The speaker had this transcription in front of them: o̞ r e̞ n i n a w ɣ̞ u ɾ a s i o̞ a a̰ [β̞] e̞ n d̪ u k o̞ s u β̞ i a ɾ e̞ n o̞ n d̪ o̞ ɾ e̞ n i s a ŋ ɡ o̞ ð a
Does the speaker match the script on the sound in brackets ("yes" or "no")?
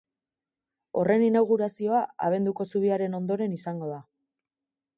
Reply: yes